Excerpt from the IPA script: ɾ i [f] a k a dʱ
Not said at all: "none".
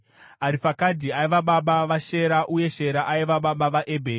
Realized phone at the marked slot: f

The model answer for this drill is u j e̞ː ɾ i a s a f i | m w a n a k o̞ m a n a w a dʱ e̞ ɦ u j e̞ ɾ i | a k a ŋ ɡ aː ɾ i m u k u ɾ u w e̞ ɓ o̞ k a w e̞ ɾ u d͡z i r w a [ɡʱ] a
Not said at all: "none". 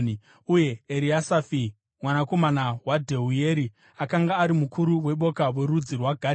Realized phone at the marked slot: ɡʱ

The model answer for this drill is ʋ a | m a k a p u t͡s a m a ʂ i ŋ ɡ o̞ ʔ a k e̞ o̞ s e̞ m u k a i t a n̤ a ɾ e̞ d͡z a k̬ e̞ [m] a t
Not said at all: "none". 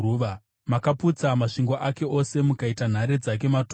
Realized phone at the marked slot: m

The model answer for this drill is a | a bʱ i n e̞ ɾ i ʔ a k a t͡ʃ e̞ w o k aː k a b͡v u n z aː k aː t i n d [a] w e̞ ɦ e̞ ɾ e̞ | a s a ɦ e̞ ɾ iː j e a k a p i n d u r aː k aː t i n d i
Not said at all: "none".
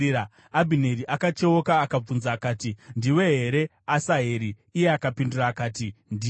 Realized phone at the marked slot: i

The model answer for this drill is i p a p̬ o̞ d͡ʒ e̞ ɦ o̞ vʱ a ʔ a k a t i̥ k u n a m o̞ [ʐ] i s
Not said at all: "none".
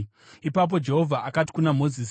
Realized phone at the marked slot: z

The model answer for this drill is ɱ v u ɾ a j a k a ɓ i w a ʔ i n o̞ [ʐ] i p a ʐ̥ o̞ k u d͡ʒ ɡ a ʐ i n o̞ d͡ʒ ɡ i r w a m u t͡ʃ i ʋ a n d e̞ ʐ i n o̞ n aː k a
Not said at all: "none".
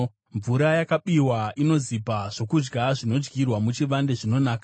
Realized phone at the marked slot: z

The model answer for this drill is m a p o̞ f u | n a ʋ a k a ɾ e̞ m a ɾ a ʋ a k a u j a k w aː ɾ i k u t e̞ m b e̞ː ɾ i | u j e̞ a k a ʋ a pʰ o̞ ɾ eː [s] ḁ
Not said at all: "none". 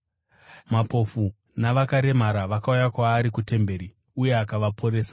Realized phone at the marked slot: s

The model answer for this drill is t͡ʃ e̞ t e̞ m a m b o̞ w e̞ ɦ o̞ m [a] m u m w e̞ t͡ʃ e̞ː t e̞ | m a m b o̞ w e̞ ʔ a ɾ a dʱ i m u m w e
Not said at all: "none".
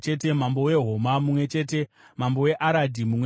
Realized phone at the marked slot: a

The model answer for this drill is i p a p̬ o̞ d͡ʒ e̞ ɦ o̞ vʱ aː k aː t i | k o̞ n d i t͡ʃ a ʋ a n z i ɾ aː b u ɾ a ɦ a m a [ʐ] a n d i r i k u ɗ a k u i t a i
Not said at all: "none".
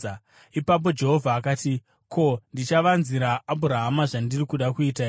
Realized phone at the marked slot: ʐ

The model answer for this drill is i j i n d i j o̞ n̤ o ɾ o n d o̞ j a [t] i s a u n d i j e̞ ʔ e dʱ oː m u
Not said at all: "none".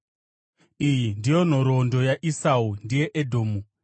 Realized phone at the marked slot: ʔ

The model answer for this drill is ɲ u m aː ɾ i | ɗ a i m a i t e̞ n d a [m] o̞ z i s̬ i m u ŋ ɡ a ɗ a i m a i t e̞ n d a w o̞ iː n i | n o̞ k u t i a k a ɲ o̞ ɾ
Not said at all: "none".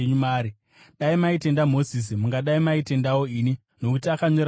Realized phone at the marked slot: m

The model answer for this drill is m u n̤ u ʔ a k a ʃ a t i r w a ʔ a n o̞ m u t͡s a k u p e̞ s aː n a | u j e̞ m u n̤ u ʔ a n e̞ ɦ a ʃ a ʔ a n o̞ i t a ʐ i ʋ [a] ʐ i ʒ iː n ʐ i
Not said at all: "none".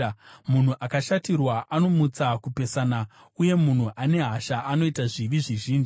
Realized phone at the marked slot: i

